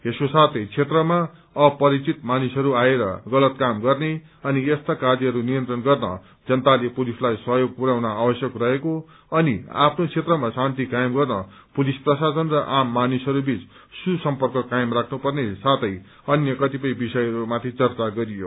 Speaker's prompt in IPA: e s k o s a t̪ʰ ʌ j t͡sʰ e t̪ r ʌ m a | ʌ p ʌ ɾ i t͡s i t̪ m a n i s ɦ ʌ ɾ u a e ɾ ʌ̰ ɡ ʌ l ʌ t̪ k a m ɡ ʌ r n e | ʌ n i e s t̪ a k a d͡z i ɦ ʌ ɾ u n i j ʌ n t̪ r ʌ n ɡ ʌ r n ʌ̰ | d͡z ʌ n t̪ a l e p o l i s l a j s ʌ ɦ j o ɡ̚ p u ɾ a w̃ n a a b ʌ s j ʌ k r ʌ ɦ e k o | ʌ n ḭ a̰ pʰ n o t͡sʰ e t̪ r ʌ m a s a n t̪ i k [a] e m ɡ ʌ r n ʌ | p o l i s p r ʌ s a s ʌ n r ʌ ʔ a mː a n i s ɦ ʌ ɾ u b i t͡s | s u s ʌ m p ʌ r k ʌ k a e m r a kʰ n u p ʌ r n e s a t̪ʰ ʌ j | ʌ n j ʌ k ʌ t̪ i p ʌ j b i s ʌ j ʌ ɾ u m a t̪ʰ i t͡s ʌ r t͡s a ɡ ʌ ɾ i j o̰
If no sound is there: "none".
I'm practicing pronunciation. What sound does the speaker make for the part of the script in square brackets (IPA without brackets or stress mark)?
a